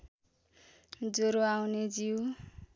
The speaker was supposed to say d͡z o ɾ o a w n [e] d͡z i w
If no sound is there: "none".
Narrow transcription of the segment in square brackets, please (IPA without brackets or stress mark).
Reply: e